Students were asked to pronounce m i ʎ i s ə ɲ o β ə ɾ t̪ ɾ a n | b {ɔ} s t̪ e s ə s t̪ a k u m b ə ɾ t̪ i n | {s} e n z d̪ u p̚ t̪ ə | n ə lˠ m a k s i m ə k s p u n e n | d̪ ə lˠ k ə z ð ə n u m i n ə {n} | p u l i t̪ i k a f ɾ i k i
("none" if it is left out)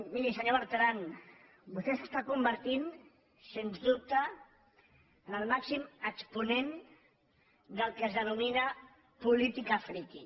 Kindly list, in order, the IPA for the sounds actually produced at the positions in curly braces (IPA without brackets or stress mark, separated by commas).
u, s, none